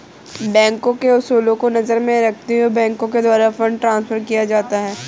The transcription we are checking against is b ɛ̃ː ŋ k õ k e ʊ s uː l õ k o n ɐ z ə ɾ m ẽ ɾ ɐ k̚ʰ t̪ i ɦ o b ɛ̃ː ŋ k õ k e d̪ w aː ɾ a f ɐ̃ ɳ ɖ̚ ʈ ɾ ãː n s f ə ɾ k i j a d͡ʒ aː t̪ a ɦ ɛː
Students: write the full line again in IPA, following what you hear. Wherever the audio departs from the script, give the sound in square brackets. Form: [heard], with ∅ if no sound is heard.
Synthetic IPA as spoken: b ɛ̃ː ŋ k õ k e ʊ s uː l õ k o n ɐ z ə ɾ m ẽ ɾ ɐ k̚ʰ t̪ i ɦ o b ɛ̃ː ŋ k õ k e d̪ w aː ɾ a f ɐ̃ ɳ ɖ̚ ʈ ɾ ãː n s f ə ɾ k i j a d͡ʒ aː t̪ a ɦ ɛː